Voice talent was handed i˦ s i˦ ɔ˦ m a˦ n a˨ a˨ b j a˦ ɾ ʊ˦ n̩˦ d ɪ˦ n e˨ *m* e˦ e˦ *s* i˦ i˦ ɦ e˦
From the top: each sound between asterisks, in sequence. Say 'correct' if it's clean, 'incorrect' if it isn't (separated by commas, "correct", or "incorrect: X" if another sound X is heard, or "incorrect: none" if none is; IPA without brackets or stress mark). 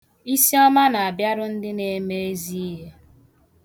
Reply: correct, incorrect: z